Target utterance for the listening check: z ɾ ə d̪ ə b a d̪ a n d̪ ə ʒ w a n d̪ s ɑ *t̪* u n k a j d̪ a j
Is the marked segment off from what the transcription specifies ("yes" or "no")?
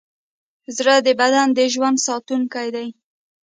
no